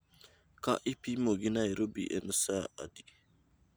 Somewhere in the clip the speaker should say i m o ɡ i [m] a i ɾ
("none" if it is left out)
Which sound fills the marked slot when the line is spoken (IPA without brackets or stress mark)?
n